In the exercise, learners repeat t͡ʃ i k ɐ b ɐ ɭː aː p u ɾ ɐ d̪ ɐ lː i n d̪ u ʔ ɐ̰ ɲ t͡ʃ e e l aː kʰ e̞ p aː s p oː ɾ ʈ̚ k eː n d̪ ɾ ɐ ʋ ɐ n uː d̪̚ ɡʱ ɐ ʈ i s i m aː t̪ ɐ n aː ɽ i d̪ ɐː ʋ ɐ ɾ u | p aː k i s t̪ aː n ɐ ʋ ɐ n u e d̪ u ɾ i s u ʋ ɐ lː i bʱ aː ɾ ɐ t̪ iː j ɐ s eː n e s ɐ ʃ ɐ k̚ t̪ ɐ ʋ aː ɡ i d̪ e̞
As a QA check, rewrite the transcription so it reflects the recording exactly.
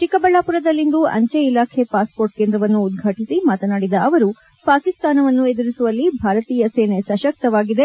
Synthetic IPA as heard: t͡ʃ i k ɐ b ɐ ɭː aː p u ɾ ɐ d̪ ɐ lː i n d̪ u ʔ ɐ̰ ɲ t͡ʃ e i l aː kʰ e̞ p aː s p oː ɾ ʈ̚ k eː n d̪ ɾ ɐ ʋ ɐ nː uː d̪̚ ɡʱ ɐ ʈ i s i m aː t̪ ɐ n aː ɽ i d̪ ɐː ʋ ɐ ɾ u | p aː k i s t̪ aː n ɐ ʋ ɐ nː u e d̪ u ɾ i s u ʋ ɐ lː i bʱ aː ɾ ɐ t̪ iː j ɐ s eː n e s ɐ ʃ ɐ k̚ t̪ ɐ ʋ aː ɡ i d̪ e̞